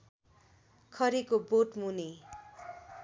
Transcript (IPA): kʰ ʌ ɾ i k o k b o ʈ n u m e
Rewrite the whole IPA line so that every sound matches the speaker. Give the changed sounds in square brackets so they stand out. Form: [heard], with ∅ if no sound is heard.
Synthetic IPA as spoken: kʰ ʌ ɾ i k o [∅] b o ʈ [m] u [n] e

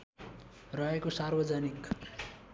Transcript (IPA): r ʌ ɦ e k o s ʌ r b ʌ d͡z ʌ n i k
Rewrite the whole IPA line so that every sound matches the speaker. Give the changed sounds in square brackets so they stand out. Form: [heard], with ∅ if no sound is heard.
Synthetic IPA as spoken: r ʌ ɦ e k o s [a] r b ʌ d͡z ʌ n i k

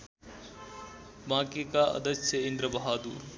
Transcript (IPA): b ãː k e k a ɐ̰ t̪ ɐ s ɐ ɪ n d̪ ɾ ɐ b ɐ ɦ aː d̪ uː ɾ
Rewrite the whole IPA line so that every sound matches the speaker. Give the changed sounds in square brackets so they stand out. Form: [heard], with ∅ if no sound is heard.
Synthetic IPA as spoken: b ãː k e k a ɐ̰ [d̪] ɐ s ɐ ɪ n d̪ ɾ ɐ b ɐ ɦ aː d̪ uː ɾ

